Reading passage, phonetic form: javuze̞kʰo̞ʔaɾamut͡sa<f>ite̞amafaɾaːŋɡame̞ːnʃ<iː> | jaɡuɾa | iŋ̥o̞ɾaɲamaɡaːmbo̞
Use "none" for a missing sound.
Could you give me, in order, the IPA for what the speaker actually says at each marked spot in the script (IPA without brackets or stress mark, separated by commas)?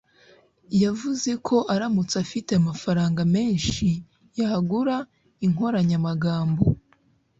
f, i